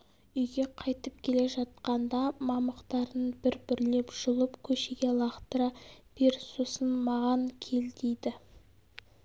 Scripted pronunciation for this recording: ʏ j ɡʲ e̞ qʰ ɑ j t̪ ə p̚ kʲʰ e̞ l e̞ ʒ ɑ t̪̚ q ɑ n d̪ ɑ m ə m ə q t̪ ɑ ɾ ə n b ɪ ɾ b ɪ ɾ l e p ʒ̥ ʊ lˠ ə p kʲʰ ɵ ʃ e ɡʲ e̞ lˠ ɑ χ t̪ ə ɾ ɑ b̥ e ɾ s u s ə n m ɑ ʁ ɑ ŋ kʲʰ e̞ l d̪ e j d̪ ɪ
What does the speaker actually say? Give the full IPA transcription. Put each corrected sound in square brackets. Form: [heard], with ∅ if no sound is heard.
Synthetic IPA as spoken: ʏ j ɡʲ e̞ qʰ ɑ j t̪ ə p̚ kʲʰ e̞ l e̞ ʒ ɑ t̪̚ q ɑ n d̪ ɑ m [ɑ] m ə q t̪ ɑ ɾ ə n b ɪ ɾ b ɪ ɾ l e p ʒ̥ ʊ lˠ ə p kʲʰ ɵ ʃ e ɡʲ e̞ lˠ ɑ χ t̪ ə ɾ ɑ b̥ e ɾ s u s ə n m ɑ ʁ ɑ ŋ kʲʰ e̞ l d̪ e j d̪ ɪ